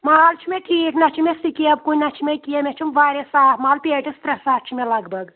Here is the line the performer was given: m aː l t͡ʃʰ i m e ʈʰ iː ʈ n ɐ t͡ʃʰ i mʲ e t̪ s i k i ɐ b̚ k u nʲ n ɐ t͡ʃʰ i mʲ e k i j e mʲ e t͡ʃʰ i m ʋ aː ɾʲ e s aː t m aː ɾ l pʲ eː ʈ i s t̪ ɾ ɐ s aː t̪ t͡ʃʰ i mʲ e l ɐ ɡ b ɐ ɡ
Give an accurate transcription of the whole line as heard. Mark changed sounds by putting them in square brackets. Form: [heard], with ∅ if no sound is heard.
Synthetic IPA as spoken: m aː l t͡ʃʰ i m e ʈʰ iː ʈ n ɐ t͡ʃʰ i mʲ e [∅] s i k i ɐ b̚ k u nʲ n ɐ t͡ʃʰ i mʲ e k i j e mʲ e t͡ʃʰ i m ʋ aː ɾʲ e s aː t m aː [∅] l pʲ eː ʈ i s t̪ ɾ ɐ s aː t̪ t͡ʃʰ i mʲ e l ɐ ɡ b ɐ ɡ